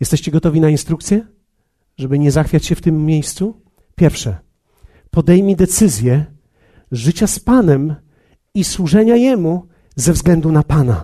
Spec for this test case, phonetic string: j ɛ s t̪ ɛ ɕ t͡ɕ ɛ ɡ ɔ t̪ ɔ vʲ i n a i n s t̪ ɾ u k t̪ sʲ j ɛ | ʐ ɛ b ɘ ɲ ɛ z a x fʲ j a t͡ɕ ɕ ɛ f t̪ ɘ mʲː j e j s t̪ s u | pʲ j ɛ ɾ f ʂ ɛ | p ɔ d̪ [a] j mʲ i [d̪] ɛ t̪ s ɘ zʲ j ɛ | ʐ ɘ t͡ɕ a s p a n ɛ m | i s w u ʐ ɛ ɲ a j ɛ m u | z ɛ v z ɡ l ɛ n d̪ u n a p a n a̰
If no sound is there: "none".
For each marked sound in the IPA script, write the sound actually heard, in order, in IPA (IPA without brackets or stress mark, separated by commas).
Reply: ɛ, d̪